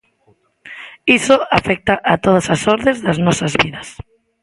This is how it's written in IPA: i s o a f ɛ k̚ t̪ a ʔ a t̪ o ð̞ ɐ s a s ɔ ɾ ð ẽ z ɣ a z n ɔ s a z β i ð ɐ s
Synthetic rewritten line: i s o a f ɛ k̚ t̪ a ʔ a t̪ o ð̞ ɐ s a s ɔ ɾ ð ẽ z ð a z n ɔ s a z β i ð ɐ s